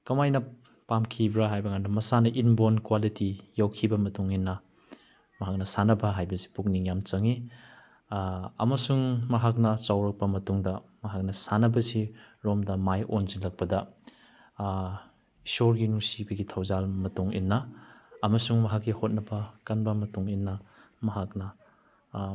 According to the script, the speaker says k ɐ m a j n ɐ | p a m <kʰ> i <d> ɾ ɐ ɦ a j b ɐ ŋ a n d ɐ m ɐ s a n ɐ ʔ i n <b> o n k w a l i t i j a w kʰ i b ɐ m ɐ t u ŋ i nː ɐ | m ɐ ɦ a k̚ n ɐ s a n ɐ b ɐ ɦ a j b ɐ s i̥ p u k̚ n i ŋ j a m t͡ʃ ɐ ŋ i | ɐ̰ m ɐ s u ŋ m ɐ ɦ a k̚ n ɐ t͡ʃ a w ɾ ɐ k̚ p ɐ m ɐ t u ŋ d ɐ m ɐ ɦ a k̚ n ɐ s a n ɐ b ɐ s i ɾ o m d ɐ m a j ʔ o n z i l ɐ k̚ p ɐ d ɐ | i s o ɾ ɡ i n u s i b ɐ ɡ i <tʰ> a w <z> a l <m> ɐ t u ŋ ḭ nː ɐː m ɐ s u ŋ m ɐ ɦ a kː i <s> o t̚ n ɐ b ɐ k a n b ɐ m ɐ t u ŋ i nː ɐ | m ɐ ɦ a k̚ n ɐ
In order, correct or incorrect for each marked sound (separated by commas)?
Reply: correct, incorrect, correct, correct, correct, correct, incorrect